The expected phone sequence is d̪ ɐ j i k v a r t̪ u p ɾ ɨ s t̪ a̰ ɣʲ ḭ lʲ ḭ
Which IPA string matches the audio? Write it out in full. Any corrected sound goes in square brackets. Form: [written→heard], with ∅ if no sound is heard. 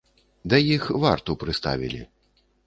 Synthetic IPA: d̪ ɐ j i [k→x] v a r t̪ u p ɾ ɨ s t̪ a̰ [ɣʲ→vʲ] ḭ lʲ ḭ